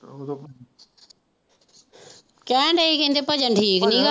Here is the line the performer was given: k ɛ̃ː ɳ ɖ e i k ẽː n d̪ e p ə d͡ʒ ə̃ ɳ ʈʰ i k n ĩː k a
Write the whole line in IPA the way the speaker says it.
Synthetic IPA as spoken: k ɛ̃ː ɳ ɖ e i k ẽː n d̪ e p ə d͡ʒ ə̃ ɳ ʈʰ iː k n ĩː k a